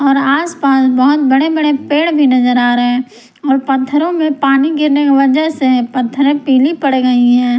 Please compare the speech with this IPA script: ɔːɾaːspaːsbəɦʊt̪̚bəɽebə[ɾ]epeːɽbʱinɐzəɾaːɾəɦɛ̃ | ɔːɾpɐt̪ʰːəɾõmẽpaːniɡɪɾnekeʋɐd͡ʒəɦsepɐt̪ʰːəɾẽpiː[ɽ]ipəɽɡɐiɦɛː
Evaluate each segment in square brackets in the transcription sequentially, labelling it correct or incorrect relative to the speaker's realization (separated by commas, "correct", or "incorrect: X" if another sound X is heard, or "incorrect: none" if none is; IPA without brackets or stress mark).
incorrect: ɽ, incorrect: l